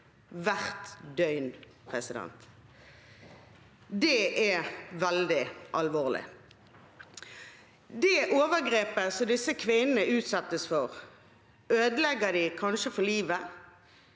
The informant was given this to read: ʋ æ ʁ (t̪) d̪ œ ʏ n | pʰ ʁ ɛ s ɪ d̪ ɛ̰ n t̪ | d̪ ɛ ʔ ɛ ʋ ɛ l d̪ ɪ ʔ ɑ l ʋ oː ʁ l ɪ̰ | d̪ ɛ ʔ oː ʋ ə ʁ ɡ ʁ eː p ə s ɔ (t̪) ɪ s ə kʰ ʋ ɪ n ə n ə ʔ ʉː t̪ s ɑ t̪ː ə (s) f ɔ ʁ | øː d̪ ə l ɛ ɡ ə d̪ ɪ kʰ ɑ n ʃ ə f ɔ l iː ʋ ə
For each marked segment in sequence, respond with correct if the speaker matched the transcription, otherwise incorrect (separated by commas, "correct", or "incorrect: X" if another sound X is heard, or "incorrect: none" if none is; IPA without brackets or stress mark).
correct, incorrect: d̪, correct